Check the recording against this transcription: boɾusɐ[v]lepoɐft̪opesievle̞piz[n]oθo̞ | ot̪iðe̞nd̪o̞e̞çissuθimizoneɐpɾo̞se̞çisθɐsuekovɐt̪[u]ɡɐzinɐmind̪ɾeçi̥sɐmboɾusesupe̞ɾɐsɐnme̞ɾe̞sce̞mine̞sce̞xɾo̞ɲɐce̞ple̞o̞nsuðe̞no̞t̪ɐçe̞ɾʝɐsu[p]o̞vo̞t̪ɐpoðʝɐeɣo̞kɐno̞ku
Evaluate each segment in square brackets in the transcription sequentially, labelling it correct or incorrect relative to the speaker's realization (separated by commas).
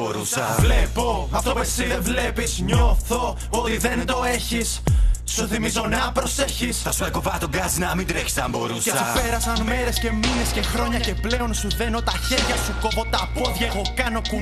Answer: correct, incorrect, incorrect, incorrect